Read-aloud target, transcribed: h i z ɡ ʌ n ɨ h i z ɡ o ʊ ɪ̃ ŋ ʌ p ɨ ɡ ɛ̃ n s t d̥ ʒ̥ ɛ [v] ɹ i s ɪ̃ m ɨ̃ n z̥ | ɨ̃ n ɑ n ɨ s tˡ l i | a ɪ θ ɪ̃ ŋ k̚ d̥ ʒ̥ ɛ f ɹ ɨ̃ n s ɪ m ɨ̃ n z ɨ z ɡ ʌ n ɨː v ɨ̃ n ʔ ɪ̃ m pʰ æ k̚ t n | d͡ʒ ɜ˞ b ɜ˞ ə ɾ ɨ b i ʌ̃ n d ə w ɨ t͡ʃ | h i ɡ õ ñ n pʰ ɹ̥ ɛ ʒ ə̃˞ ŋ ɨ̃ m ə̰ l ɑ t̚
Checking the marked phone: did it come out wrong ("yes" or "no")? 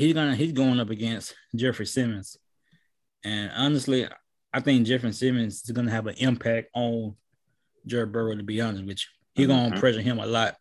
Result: yes